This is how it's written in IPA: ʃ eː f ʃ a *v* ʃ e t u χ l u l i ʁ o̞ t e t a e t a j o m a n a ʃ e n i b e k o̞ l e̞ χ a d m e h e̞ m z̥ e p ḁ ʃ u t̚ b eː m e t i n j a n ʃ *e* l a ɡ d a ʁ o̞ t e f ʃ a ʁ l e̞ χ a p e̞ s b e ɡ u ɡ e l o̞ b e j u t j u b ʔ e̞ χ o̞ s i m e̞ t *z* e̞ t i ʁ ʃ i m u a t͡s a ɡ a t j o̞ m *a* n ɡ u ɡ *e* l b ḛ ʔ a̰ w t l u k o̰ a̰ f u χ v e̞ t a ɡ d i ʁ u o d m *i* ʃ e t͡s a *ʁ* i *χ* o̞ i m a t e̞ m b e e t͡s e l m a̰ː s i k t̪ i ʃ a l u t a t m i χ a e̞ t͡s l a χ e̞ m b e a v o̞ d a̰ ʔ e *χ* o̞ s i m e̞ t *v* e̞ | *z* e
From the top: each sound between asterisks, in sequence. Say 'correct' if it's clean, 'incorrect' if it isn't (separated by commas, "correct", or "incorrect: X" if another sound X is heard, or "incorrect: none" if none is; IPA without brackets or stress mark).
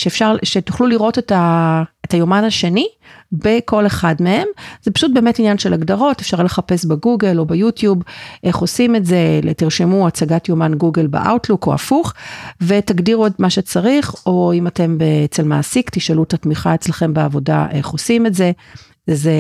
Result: incorrect: ʁ, correct, correct, correct, correct, incorrect: a, correct, correct, correct, incorrect: z, correct